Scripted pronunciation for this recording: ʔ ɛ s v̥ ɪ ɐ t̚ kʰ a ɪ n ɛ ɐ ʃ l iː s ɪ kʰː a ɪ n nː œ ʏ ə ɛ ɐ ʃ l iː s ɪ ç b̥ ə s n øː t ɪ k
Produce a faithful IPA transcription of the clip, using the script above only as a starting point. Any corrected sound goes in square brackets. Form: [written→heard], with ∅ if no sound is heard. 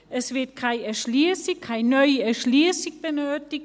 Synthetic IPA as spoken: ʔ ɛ s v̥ ɪ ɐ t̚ kʰ a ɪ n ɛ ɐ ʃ l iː s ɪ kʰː a ɪ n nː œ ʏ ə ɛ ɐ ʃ l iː s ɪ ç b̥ ə [s→∅] n øː t ɪ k